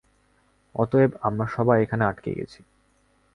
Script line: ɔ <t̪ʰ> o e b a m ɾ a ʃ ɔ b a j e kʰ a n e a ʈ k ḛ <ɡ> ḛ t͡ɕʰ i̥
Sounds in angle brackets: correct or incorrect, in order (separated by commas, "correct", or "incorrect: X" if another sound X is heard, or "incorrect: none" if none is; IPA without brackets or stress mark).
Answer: incorrect: t̪, correct